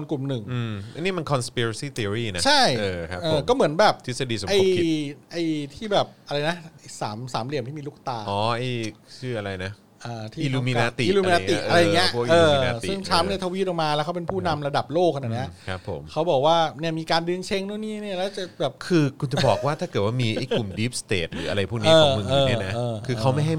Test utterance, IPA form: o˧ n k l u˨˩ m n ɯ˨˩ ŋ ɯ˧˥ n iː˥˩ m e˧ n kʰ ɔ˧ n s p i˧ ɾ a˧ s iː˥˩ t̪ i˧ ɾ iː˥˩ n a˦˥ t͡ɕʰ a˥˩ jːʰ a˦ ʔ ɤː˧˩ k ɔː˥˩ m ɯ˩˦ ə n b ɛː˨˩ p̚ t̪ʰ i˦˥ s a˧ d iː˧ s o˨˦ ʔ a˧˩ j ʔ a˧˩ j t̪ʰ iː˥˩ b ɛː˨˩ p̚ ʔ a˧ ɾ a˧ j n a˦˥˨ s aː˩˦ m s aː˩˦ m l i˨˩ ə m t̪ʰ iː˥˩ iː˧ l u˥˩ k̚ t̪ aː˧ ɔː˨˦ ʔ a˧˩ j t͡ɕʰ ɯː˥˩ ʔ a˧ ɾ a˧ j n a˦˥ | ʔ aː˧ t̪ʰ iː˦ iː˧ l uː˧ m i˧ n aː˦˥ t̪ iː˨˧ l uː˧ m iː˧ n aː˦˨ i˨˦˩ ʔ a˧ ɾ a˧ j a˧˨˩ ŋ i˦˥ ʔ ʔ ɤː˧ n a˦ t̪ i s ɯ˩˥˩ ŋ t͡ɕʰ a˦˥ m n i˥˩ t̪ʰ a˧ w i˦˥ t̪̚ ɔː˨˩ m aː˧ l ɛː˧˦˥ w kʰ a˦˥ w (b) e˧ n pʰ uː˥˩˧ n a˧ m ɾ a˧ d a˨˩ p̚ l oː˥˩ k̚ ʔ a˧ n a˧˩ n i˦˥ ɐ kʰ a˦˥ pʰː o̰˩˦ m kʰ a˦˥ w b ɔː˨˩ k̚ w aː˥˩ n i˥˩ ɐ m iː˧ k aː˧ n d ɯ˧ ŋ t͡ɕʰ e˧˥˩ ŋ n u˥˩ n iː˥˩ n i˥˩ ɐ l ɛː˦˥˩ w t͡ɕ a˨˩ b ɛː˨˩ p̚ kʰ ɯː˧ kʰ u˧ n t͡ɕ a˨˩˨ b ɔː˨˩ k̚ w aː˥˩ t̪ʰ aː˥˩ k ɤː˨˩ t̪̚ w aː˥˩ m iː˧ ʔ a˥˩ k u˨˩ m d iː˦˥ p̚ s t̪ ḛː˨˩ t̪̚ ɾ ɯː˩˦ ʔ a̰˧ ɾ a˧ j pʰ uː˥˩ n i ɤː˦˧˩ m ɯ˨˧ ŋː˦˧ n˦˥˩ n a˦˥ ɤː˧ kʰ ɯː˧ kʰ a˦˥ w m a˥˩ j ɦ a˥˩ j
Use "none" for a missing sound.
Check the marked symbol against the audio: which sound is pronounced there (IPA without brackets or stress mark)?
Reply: p